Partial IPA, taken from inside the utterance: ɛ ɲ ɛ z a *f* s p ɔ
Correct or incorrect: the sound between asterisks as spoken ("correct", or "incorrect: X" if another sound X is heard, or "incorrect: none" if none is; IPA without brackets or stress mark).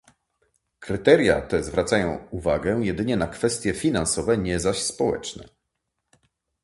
incorrect: ɕ